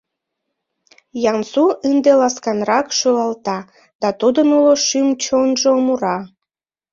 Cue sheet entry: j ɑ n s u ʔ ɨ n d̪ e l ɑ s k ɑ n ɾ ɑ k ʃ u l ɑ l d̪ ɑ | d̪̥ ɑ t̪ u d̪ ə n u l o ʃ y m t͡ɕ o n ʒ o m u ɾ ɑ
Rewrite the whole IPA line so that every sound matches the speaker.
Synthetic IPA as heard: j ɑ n s u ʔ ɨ n d̪ e l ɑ s k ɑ n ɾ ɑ k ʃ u l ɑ l t̪ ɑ | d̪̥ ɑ t̪ u d̪ ə n u l o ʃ y m t͡ɕ o n ʒ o m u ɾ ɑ